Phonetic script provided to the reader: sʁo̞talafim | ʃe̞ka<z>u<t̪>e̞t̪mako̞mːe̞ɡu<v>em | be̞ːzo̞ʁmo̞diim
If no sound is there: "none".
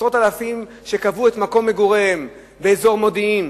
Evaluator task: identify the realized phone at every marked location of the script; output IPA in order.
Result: v, none, ʁ

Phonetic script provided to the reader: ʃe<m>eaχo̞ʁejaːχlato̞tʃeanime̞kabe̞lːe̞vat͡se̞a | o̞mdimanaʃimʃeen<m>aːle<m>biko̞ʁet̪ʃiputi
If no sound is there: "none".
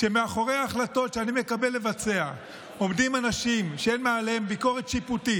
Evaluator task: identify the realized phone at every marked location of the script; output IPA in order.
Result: m, m, m

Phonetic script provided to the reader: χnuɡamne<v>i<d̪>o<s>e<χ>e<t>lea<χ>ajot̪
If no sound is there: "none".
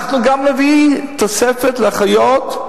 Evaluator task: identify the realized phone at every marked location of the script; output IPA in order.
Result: v, t̪, s, f, t, χ

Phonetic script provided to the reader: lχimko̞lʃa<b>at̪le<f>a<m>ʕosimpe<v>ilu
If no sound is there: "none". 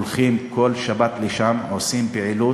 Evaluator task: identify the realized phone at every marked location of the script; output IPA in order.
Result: b, ʃ, m, ʕ

